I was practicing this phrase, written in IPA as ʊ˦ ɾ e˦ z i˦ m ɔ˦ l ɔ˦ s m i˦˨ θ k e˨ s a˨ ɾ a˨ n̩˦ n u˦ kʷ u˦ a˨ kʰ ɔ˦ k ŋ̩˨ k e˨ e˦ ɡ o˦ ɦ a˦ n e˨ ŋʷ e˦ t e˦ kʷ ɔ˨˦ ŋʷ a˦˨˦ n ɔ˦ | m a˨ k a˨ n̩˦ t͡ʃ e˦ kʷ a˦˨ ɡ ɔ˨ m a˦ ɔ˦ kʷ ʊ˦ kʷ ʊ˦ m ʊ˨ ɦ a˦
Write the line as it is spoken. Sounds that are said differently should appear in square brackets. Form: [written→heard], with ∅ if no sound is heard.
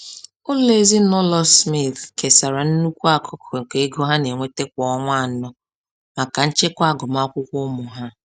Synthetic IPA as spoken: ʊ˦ [ɾ→l] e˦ z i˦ [m→n] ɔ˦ l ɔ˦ s m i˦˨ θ k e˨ s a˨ ɾ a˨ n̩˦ n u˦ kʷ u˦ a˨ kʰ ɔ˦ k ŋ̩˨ k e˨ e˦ ɡ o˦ ɦ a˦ n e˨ ŋʷ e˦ t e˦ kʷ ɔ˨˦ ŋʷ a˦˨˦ n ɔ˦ | m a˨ k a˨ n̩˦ t͡ʃ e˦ kʷ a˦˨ ɡ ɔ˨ m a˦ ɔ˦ kʷ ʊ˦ kʷ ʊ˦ m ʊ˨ ɦ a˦